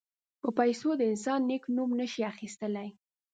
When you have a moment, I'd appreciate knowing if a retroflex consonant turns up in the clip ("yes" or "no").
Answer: no